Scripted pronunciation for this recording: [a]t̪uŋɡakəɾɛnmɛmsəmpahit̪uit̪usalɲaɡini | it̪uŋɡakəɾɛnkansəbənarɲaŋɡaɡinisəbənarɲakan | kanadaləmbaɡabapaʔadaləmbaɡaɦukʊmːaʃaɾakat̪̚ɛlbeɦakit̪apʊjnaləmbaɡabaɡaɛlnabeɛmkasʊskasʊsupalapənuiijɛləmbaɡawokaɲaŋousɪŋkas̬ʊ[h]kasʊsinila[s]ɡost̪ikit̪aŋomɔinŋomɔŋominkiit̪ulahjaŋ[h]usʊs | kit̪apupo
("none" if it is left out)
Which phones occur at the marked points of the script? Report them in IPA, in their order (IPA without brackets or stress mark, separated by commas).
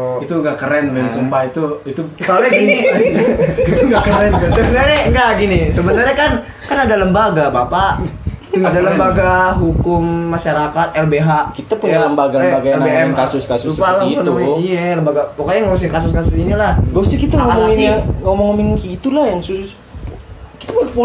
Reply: i, s, h, s